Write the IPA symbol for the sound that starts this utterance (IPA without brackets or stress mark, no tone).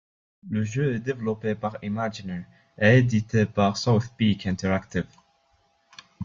l